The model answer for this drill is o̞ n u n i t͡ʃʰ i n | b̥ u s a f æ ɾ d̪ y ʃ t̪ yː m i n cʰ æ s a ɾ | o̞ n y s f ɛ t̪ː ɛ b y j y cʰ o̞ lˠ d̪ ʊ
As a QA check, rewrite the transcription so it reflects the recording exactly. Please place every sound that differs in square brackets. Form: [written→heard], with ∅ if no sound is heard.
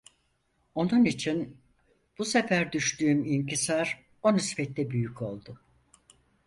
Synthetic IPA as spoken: o̞ n u n i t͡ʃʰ i n | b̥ u s [a→e] f æ ɾ d̪ y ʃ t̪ yː m i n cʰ [æ→i] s a ɾ | o̞ n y s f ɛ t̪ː ɛ b y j y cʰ o̞ lˠ d̪ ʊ